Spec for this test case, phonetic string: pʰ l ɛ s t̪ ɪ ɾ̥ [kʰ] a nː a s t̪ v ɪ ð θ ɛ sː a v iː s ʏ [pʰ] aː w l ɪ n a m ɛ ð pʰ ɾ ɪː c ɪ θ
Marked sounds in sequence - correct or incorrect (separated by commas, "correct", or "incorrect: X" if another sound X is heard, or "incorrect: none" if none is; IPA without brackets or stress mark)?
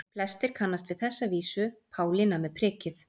correct, correct